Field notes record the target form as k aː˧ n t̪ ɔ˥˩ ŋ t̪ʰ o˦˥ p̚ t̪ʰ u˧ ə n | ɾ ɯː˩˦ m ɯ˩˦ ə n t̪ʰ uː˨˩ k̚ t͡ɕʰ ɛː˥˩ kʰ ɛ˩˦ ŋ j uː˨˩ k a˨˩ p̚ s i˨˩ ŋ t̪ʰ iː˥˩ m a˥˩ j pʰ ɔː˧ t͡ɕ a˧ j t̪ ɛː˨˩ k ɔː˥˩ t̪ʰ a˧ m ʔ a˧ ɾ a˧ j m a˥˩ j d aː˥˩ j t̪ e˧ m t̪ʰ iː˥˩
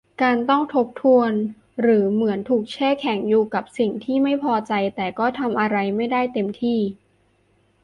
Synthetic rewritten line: k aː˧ n t̪ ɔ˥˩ ŋ t̪ʰ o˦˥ p̚ t̪ʰ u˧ ə n | ɾ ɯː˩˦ m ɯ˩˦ ə n t̪ʰ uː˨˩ k̚ t͡ɕʰ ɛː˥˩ kʰ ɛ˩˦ ŋ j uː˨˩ k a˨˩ p̚ s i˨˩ ŋ t̪ʰ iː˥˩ m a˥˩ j pʰ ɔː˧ t͡ɕ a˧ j t̪ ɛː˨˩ k ɔː˥˩ t̪ʰ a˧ m ʔ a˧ ɾ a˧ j m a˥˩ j d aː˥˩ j t̪ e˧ m t̪ʰ iː˥˩

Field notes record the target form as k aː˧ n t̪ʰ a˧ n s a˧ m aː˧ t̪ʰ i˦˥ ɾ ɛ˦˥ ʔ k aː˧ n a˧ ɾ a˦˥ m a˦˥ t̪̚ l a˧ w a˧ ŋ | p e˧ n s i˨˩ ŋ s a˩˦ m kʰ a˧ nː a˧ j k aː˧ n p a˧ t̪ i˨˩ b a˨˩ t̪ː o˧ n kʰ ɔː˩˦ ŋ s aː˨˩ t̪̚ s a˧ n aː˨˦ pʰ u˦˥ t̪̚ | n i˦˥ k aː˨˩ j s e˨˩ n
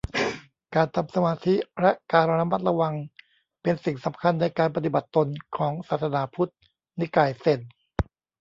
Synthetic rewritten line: k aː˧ n t̪ʰ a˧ m s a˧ m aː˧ t̪ʰ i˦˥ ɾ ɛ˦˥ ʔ k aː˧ n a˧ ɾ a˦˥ m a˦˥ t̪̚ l a˧ w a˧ ŋ | p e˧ n s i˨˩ ŋ s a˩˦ m kʰ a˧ nː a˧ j k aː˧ n p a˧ t̪ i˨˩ b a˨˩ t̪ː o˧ n kʰ ɔː˩˦ ŋ s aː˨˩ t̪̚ s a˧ n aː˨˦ pʰ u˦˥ t̪̚ | n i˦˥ k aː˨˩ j s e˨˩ n

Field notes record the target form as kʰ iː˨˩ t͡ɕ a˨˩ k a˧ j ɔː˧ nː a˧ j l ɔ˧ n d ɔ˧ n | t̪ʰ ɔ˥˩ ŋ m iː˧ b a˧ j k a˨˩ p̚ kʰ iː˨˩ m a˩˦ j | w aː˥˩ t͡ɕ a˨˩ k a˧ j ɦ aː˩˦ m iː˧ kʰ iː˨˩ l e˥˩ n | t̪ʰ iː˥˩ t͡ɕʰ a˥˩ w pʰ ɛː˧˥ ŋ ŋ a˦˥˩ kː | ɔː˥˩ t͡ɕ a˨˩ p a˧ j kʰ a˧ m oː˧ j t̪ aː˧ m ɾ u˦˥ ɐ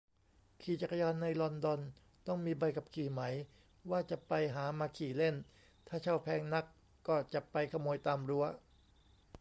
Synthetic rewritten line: kʰ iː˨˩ t͡ɕ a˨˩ k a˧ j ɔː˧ nː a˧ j l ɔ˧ n d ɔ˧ n | t̪ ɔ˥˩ ŋ m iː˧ b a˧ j k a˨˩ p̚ kʰ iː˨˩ m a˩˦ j | w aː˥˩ t͡ɕ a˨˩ p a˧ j ɦ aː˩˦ m aː˧ kʰ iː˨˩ l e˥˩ n | t̪ʰ aː˥˩ t͡ɕʰ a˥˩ w pʰ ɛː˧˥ ŋ n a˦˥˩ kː | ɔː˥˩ t͡ɕ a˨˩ p a˧ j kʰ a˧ m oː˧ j t̪ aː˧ m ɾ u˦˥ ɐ

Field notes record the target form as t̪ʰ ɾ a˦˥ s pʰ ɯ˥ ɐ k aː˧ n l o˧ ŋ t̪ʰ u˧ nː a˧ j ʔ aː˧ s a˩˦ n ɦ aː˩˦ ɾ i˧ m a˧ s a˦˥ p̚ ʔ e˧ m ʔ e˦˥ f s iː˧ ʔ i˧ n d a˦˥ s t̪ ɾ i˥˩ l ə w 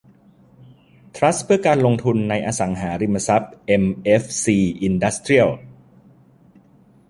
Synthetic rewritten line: t̪ʰ ɾ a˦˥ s pʰ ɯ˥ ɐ k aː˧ n l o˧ ŋ t̪ʰ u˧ nː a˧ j ʔ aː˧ s a˩˦ ŋ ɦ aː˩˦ ɾ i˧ m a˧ s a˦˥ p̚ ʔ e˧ m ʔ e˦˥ f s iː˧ ʔ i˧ n d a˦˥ s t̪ ɾ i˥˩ ə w

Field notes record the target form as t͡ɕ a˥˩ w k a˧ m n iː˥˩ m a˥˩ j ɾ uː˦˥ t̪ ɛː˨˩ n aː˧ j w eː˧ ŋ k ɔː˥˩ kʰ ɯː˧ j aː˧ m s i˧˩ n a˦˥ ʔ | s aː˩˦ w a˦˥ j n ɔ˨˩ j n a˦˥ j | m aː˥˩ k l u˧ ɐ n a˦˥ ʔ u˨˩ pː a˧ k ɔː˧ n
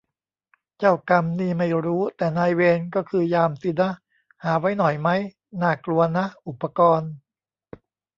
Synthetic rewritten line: t͡ɕ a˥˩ w k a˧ m n iː˥˩ m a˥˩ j ɾ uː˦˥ t̪ ɛː˨˩ n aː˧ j w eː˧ n k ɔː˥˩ kʰ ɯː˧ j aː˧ m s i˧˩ n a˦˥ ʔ | h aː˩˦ w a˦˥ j n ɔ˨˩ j m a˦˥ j | n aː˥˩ k l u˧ ɐ n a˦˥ ʔ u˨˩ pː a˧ k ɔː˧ n

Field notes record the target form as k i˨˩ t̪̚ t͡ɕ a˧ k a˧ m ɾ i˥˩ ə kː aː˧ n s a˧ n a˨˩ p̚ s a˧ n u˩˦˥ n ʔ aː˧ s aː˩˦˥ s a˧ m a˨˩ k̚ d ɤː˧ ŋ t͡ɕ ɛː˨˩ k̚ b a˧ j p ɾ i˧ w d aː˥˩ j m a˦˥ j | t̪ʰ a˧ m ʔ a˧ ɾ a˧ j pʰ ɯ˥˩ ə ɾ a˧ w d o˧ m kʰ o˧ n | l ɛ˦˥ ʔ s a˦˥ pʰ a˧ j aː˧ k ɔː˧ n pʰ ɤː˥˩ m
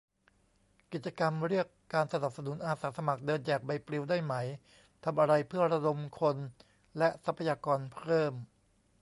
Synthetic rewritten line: k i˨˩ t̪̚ t͡ɕ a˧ k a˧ m ɾ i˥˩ ə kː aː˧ n s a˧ n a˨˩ p̚ s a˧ n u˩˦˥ n ʔ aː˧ s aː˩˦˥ s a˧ m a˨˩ k̚ d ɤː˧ n t͡ɕ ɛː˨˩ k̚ b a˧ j p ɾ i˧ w d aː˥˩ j m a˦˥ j | t̪ʰ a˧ m ʔ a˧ ɾ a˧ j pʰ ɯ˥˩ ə ɾ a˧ d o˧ m kʰ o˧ n | l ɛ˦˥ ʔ s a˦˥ pʰ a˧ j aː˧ k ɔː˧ n pʰ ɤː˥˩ m

